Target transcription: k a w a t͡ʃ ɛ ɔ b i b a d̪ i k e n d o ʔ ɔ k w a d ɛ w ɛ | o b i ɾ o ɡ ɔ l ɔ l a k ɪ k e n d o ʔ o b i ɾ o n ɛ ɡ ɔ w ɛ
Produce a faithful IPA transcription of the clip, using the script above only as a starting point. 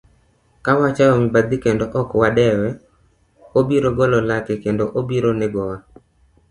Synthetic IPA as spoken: k a w a t͡ʃ a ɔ m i b a d̪ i k e n d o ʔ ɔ k w a d ɛ w ɛ | o b i ɾ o ɡ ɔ l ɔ l a k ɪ k e n d o ʔ o b i ɾ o n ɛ ɡ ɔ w a